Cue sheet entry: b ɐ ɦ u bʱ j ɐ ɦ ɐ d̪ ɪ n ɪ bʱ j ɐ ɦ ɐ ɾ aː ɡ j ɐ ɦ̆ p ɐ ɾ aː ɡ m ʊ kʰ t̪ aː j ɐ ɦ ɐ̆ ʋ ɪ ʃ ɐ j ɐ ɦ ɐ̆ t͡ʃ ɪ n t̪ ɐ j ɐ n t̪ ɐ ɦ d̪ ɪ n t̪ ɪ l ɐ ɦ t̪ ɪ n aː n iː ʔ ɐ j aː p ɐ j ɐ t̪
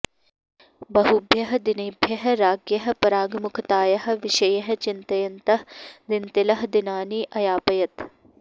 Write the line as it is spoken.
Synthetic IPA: b ɐ ɦ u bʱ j ɐ ɦ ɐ d̪ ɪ n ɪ bʱ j ɐ ɦ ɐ ɾ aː ɡ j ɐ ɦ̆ p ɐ ɾ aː ɡ m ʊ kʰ t̪ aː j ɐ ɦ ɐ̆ ʋ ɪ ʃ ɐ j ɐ ɦ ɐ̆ t͡ʃ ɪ n t̪ ɐ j ɐ n t̪ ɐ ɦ d̪ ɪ n t̪ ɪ l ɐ ɦ d̪ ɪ n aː n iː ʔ ɐ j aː p ɐ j ɐ t̪